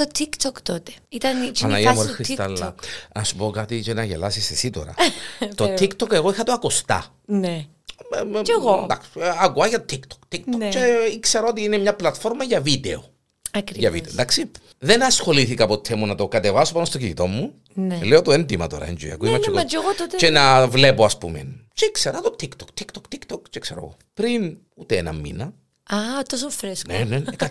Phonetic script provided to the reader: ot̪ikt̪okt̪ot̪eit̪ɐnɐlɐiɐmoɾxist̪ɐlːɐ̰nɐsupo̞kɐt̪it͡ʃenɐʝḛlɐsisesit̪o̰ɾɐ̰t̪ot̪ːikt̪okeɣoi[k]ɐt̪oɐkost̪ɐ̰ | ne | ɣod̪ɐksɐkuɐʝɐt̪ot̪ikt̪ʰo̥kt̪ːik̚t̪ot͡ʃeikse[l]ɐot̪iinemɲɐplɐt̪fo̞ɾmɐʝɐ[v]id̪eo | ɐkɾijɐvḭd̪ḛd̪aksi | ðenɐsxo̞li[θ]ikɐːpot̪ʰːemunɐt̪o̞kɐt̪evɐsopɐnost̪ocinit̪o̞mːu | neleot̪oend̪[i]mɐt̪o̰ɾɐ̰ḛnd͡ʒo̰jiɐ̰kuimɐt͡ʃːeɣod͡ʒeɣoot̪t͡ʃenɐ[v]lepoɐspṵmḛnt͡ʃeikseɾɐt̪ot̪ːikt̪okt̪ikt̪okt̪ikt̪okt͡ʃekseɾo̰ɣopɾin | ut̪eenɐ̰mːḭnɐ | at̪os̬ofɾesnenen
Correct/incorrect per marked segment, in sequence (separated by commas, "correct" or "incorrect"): incorrect, incorrect, correct, correct, correct, correct